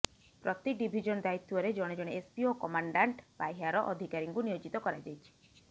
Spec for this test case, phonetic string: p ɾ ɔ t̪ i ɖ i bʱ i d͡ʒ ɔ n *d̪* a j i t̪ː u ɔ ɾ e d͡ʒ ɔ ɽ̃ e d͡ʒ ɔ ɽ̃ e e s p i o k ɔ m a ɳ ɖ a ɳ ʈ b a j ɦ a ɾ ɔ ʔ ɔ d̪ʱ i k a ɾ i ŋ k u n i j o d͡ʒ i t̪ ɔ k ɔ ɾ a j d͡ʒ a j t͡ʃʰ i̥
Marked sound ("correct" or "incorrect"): correct